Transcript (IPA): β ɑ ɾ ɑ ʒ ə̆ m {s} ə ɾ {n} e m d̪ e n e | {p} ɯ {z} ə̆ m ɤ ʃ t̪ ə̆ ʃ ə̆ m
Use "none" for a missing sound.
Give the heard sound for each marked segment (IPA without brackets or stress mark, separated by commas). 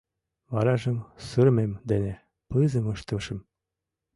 s, m, p, z